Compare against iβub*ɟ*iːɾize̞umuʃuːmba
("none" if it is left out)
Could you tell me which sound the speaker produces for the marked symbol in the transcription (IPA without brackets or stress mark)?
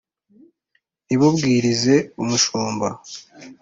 ɡ